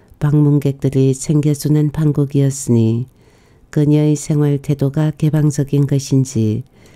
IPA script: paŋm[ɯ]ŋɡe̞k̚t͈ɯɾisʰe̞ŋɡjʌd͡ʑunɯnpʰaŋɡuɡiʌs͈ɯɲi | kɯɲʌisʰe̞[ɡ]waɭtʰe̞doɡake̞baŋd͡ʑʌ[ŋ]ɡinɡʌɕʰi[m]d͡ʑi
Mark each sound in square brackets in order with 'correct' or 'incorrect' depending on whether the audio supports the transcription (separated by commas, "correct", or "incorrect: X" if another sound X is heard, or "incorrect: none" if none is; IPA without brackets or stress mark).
incorrect: u, incorrect: ŋ, incorrect: none, incorrect: n